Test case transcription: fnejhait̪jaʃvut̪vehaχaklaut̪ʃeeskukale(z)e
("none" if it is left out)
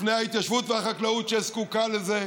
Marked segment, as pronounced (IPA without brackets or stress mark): z